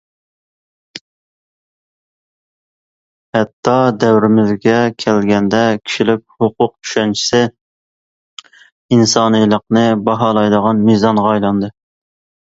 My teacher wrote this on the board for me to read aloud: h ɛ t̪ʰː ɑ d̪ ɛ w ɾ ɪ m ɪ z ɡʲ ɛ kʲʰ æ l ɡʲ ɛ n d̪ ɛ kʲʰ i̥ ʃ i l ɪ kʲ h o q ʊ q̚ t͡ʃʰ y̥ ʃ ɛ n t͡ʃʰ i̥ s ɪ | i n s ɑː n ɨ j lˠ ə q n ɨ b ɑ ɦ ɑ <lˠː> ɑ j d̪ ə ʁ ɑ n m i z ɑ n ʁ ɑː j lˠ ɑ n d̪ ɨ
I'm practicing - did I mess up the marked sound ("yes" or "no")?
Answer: yes